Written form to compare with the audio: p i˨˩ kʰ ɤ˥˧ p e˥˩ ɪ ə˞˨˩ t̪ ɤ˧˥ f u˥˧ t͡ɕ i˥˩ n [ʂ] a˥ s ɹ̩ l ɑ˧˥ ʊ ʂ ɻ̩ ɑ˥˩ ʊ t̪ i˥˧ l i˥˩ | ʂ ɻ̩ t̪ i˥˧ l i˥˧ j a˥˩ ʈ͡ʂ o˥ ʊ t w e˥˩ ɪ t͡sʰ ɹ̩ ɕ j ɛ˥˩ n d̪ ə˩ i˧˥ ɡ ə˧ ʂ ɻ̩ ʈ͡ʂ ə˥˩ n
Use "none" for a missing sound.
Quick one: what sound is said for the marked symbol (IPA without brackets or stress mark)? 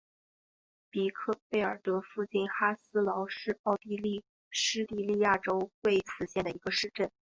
x